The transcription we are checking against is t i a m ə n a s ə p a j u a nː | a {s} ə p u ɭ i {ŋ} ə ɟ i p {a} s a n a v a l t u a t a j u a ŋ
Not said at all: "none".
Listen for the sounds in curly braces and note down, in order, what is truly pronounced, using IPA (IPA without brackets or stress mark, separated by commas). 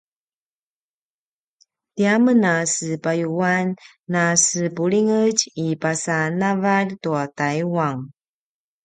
s, ŋ, a